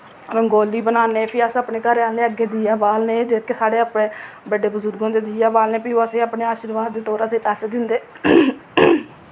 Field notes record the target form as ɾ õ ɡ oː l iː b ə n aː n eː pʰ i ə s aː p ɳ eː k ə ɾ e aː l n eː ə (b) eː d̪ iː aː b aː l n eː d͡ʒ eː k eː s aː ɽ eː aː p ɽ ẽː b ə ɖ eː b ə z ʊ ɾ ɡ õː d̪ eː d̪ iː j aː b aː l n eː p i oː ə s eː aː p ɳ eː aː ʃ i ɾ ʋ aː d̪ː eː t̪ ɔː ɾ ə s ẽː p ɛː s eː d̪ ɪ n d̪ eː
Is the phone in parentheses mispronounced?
yes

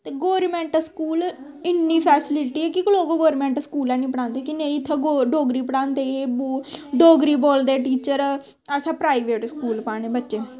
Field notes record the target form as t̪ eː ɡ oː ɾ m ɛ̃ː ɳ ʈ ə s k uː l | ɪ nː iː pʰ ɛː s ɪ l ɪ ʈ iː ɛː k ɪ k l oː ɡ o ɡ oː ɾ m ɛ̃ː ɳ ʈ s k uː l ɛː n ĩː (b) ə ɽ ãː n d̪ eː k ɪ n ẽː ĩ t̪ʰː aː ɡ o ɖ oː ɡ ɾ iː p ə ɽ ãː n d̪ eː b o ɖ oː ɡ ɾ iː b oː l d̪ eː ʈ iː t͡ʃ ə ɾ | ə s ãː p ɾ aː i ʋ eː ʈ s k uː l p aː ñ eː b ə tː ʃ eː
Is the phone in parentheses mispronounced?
yes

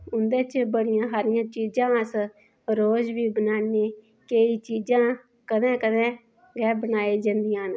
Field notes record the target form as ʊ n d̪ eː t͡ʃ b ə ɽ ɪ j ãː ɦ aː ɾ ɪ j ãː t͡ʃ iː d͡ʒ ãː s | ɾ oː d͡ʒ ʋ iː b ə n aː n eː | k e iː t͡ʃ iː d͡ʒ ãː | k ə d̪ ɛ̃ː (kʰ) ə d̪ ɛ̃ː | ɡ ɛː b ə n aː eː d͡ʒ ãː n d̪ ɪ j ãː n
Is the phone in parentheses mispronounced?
yes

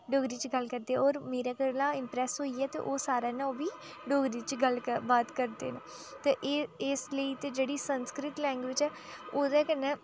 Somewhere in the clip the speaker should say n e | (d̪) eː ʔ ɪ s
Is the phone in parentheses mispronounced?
yes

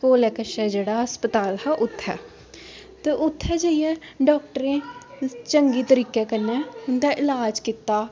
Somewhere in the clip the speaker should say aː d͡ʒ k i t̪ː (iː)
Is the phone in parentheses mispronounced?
yes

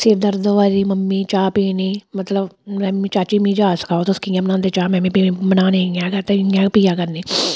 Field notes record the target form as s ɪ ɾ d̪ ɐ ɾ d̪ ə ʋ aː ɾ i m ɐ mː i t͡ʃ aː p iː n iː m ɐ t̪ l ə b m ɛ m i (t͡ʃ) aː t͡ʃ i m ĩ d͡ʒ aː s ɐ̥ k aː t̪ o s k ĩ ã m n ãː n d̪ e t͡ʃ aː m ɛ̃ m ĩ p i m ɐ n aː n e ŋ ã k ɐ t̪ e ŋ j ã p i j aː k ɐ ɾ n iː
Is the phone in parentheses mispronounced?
no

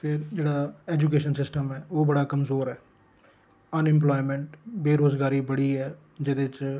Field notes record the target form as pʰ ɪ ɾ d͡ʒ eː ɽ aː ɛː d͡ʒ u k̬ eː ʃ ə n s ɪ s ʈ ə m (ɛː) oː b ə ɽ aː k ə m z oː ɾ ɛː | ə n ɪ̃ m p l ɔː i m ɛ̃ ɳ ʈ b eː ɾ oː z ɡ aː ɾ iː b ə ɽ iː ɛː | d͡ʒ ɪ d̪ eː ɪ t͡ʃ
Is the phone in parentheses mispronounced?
no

